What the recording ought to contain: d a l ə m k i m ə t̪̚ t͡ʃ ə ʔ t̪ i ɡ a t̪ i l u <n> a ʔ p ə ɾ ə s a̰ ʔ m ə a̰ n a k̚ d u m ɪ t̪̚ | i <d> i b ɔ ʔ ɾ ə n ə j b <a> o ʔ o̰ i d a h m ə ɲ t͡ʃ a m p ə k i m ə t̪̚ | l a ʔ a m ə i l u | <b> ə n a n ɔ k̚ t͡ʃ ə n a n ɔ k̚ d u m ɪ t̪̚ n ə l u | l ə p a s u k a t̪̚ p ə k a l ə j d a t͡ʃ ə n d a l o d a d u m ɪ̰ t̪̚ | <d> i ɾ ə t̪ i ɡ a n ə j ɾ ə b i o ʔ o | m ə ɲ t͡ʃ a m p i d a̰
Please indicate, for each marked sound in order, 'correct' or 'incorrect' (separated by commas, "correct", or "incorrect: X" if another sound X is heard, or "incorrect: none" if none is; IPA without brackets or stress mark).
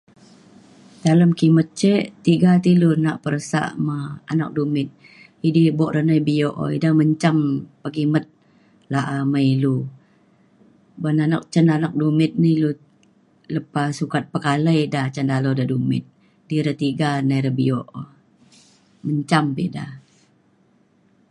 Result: correct, correct, incorrect: i, correct, correct